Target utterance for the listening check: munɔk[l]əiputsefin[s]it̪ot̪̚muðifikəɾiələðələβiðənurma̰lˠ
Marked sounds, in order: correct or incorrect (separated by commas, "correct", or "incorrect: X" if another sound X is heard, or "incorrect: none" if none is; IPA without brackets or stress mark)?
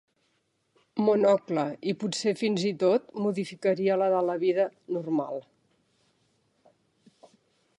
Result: correct, incorrect: z